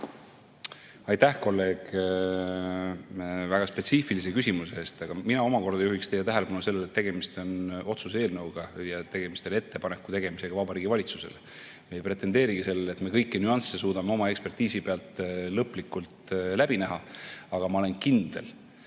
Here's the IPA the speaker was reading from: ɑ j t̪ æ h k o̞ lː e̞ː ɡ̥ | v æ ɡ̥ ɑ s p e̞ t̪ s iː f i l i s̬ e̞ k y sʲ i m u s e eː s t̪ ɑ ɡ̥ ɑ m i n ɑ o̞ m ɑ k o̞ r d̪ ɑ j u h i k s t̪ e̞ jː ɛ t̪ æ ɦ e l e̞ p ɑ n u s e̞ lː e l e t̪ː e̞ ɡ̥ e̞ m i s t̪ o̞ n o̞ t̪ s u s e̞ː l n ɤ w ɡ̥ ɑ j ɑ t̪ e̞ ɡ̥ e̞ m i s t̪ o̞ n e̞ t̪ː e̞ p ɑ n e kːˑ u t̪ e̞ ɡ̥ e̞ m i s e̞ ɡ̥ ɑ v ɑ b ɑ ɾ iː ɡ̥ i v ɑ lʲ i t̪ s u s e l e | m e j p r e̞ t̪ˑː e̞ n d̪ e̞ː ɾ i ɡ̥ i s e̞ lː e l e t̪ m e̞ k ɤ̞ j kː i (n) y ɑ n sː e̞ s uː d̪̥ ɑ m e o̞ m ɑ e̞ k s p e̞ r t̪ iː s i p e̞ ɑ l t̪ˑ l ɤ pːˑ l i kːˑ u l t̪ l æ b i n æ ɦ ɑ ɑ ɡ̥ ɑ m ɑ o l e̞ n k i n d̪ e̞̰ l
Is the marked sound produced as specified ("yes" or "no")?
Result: yes